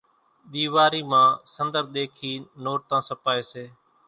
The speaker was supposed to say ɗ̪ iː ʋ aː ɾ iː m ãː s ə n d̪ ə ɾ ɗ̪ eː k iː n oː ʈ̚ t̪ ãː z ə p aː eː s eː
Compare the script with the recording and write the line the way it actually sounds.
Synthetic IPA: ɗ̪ iː ʋ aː ɾ iː m ãː s ə n d̪ ə ɾ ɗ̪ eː kʰ iː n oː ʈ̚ t̪ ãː s ə p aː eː s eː